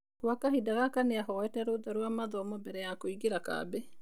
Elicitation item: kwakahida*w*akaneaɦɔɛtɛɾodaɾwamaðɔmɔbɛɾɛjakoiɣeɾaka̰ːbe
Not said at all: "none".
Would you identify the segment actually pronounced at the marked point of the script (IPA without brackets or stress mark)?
ɣ